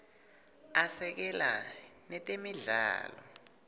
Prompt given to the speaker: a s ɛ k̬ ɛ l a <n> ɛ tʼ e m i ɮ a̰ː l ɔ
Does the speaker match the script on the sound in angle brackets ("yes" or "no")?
yes